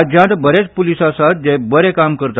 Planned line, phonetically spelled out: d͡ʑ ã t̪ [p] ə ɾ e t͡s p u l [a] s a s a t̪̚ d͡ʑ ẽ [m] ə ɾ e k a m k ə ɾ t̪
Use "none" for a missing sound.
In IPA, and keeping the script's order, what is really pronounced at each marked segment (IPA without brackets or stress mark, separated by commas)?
b, i, b